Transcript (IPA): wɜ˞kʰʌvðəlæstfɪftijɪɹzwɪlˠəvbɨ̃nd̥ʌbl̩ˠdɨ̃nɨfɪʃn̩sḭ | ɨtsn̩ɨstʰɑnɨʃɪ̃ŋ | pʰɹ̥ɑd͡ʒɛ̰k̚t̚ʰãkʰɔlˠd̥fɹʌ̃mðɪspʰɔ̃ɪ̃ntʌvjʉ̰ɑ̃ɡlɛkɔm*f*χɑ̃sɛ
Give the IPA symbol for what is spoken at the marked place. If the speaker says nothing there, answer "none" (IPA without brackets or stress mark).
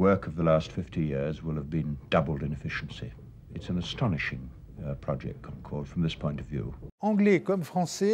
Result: f